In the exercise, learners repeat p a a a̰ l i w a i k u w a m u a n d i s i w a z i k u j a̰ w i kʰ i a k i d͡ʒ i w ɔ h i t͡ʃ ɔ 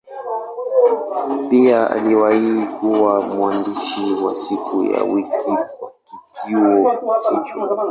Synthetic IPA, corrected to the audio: p i a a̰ l i w a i k u w a m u a n d i ʃ i w a s i k u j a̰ w i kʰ i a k i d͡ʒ i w ɔ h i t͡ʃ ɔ